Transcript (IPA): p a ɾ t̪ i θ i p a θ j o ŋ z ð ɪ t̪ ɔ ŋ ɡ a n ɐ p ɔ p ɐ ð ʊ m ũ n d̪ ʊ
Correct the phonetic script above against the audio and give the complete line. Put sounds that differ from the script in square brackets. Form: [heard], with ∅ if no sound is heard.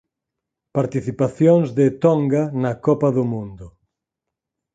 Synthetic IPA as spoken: p a ɾ t̪ i θ i p a θ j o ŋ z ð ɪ t̪ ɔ ŋ ɡ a n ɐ [k] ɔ p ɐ ð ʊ m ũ n d̪ ʊ